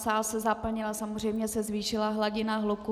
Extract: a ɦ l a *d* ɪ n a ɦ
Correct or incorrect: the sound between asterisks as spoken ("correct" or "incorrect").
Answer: incorrect